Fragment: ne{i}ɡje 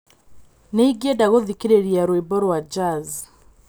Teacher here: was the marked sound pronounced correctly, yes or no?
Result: yes